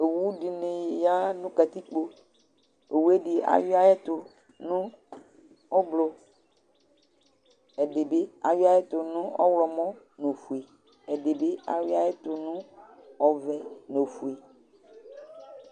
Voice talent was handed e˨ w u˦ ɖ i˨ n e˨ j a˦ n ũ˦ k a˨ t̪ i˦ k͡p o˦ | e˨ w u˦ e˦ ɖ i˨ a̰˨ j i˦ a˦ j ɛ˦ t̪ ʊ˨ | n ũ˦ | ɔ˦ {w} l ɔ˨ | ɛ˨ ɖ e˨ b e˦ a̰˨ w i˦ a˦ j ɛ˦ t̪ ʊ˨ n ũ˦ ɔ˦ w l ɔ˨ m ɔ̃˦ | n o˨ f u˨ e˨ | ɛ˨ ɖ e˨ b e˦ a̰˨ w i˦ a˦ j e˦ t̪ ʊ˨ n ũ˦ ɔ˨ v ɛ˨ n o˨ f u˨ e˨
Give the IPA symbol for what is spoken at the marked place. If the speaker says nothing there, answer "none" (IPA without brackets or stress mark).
b